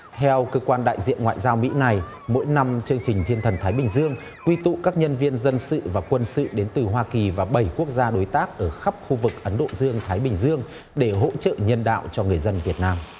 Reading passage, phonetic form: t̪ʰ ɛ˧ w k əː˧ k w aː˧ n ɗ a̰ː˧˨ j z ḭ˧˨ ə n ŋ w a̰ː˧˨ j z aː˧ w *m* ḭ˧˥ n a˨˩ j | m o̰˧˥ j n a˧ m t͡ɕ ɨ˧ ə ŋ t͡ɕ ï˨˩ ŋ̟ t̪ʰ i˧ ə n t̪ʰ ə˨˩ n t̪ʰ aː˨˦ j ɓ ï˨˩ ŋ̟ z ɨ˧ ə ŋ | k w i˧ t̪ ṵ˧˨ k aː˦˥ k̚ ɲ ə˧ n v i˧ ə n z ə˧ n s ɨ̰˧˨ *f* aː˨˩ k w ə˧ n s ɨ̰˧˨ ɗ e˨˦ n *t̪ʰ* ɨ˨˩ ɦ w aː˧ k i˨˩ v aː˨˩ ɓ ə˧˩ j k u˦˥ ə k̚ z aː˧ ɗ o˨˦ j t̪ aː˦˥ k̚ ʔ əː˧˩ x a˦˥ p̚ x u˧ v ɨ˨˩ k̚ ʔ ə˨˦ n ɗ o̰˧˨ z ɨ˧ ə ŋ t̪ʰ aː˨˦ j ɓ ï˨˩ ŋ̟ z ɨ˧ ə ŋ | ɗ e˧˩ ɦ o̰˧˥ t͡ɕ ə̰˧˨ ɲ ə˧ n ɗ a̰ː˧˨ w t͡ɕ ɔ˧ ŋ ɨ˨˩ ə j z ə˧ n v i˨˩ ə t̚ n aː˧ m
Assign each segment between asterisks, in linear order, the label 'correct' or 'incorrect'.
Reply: correct, incorrect: v, incorrect: t̪

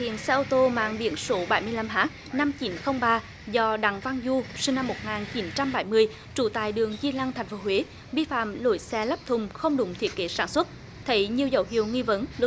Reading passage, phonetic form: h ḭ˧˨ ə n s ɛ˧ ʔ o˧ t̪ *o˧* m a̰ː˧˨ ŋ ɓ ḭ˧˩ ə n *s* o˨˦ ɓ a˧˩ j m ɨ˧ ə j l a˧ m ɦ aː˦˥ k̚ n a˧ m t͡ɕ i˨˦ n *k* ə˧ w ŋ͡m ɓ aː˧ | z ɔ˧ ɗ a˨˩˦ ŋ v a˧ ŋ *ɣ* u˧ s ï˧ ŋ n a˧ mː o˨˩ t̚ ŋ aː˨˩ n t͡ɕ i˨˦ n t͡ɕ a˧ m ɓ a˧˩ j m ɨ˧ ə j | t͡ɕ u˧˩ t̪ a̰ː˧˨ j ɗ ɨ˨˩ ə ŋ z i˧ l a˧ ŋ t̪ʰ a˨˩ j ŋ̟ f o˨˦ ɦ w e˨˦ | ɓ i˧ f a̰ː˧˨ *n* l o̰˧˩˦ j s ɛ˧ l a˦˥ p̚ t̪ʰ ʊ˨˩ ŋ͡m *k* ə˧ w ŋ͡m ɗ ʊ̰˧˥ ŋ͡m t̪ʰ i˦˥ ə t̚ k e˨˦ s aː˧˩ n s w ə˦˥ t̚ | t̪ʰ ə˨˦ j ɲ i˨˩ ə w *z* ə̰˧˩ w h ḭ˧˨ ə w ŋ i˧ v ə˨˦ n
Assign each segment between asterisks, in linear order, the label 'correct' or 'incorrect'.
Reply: correct, correct, incorrect: x, incorrect: z, incorrect: m, incorrect: x, correct

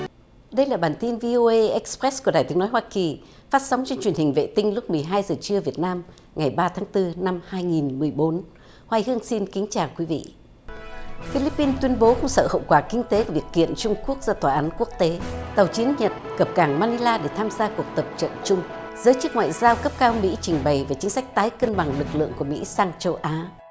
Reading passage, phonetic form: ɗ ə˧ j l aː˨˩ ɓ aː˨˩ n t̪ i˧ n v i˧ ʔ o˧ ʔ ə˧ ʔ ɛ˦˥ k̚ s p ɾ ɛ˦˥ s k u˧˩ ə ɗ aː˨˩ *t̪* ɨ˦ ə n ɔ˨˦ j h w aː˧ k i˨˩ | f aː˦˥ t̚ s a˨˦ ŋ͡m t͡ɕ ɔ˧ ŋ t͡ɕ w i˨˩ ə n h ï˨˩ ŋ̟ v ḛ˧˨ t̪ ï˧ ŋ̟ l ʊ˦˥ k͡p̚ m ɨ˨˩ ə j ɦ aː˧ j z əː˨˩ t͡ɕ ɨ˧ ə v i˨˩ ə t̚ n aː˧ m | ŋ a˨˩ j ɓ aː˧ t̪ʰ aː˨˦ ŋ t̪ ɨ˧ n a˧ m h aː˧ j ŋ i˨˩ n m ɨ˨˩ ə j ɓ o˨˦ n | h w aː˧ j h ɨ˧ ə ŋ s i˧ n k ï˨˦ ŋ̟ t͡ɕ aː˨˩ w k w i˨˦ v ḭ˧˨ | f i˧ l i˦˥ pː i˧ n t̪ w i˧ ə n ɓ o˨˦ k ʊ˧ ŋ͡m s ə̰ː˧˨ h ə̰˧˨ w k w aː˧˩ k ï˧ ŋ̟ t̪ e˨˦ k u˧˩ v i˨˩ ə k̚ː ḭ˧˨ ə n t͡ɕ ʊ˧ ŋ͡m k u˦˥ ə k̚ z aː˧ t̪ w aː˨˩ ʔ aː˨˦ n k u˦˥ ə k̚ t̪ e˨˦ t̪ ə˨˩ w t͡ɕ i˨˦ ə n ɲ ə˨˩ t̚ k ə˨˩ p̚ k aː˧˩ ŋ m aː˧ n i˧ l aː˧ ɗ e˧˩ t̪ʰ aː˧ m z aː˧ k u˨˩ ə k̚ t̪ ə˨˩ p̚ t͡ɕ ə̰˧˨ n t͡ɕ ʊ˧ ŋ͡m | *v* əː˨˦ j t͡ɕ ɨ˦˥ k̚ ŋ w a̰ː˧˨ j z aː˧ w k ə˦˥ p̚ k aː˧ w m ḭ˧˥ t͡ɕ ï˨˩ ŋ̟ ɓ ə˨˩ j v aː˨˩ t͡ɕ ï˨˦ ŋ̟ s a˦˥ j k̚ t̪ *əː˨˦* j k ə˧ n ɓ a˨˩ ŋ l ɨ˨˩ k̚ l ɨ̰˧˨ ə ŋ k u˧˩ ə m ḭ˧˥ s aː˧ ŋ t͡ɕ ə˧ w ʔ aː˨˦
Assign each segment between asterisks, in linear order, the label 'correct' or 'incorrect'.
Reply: correct, incorrect: z, incorrect: aː˨˦

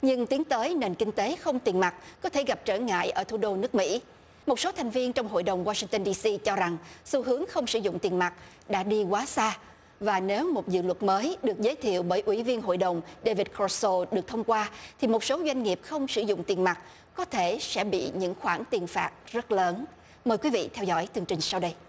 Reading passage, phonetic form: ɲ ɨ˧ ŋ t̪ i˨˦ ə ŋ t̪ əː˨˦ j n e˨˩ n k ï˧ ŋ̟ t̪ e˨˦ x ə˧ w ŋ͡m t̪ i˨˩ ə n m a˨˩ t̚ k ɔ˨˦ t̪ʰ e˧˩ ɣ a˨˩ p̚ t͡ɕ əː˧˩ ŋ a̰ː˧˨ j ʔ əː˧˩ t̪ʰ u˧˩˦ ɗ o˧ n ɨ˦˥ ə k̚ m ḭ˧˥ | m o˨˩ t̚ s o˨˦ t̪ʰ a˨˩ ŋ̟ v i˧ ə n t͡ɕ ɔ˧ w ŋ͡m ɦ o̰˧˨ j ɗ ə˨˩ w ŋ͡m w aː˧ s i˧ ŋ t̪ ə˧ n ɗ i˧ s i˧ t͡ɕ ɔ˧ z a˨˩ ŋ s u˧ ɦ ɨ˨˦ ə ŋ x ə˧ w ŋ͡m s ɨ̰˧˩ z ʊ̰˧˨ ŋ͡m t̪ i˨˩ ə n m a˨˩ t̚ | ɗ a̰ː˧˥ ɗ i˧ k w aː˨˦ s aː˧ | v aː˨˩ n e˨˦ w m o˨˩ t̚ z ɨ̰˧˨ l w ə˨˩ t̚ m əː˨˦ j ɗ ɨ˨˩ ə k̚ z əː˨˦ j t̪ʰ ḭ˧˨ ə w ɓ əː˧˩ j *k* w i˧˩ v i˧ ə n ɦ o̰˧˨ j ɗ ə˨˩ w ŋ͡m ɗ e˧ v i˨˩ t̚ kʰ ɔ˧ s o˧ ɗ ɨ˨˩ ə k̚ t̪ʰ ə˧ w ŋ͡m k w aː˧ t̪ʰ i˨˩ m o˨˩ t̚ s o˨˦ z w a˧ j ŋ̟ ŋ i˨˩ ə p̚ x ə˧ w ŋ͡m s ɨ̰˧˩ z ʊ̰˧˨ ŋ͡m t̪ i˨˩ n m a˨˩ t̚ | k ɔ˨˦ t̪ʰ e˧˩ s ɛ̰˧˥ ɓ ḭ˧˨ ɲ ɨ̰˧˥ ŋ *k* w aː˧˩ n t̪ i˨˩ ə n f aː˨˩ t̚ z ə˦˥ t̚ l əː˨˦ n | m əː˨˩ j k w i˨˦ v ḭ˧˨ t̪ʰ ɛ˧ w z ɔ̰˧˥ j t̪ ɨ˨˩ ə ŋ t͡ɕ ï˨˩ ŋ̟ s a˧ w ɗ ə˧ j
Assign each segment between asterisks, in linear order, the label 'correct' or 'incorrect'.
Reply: incorrect: ʔ, incorrect: x

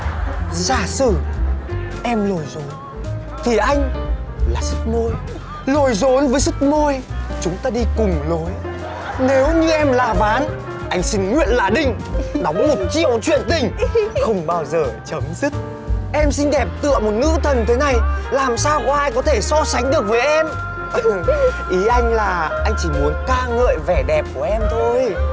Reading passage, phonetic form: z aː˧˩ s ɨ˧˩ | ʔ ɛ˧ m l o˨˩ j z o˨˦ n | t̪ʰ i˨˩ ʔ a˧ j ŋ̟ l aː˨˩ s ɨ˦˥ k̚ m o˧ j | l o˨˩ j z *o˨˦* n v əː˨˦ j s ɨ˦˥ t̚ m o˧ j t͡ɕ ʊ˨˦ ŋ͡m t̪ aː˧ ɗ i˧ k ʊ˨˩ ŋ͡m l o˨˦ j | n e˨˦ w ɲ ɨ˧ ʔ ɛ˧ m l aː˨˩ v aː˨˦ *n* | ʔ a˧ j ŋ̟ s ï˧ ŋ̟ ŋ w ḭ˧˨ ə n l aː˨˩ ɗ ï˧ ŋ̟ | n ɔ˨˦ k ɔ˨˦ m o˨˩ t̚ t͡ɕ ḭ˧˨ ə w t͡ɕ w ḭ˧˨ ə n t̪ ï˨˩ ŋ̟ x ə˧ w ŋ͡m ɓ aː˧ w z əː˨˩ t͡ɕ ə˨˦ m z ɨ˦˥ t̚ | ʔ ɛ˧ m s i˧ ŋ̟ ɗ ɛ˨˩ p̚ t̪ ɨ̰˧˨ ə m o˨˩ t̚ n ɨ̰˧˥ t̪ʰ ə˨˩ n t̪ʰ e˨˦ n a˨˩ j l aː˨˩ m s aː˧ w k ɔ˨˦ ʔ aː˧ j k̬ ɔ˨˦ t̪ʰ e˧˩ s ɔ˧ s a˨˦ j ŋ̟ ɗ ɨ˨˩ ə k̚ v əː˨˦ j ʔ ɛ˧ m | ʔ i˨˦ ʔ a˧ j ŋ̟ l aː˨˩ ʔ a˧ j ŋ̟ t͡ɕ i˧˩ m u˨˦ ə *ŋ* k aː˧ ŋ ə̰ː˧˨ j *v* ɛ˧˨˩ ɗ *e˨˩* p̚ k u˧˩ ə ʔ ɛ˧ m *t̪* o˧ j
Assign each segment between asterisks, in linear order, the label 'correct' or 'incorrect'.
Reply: correct, correct, incorrect: n, correct, incorrect: ɛ˨˩, incorrect: t̪ʰ

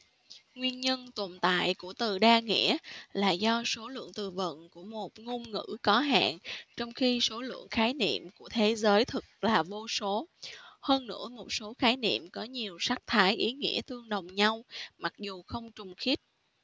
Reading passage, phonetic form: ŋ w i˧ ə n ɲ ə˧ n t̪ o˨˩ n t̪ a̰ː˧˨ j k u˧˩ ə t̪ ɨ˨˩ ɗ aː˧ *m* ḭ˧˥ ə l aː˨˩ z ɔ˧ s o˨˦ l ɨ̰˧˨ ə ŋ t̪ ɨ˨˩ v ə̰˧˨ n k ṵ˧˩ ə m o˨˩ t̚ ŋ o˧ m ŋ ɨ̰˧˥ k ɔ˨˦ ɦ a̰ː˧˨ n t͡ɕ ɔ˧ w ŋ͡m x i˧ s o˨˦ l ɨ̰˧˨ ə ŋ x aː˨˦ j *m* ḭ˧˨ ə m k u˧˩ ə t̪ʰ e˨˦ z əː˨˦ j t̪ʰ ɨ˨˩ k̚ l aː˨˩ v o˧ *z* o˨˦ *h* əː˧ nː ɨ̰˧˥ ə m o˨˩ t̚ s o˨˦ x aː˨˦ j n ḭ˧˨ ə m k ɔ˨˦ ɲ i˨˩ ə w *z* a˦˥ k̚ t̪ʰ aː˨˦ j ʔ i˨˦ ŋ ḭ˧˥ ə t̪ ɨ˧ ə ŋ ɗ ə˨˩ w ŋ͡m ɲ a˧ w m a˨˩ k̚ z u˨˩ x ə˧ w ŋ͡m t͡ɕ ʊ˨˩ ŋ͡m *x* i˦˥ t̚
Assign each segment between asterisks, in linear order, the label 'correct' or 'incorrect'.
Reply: incorrect: ŋ, incorrect: n, incorrect: s, correct, incorrect: s, correct

